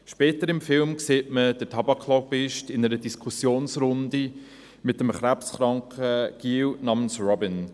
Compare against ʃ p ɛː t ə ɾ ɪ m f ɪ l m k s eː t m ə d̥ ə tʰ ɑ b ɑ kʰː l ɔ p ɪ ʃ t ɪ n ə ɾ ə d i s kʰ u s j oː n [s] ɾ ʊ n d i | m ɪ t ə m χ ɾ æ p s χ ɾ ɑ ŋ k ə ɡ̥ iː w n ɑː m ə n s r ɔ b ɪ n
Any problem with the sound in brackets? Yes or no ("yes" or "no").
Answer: no